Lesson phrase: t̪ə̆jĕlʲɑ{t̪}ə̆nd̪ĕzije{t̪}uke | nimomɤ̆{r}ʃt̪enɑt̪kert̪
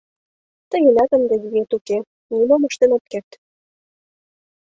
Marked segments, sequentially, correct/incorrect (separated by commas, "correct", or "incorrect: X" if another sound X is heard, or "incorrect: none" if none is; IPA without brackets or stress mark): correct, correct, incorrect: none